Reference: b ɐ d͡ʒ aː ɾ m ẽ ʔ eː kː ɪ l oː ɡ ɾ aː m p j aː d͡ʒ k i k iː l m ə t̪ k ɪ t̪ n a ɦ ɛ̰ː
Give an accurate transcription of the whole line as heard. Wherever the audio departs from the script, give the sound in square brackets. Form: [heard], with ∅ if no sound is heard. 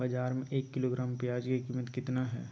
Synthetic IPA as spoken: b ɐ d͡ʒ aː ɾ m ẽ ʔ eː kː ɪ l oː ɡ ɾ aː m p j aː d͡ʒ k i k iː [∅] m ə t̪ k ɪ t̪ n a ɦ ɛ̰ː